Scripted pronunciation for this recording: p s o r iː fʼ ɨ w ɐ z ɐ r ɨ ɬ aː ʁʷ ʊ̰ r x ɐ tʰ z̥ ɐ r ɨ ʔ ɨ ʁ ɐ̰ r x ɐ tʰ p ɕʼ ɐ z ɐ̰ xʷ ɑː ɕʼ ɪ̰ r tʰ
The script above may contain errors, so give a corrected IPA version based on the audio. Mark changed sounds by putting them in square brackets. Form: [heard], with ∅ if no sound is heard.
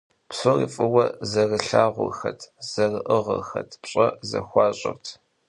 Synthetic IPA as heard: p s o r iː fʼ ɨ w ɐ z ɐ r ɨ ɬ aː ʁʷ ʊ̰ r x ɐ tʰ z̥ ɐ r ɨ ʔ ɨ ʁ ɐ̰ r x ɐ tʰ p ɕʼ ɐ z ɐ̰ xʷ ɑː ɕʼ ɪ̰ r tʰ